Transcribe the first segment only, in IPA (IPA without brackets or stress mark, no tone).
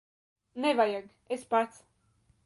n